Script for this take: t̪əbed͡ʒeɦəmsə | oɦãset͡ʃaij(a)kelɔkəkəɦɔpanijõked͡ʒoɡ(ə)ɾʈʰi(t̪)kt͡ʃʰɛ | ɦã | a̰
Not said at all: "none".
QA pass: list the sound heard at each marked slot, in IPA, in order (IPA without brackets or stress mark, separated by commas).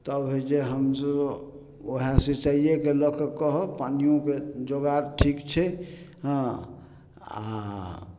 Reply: e, a, none